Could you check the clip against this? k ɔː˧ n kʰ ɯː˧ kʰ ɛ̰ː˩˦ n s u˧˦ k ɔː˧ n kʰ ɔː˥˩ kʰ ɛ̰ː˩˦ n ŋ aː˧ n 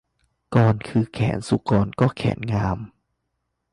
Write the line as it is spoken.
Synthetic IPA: k ɔː˧ n kʰ ɯː˧ kʰ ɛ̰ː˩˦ n s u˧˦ k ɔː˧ n k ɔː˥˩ kʰ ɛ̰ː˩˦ n ŋ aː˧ m